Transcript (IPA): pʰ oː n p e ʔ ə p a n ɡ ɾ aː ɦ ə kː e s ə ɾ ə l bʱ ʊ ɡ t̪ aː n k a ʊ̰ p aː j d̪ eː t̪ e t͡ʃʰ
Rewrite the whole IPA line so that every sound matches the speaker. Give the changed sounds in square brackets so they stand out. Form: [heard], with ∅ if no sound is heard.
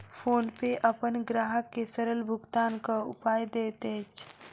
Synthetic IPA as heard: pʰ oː n p e ʔ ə p [ə] n ɡ ɾ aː ɦ ə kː e s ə ɾ ə l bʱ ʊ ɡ t̪ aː n k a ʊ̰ p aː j d̪ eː t̪ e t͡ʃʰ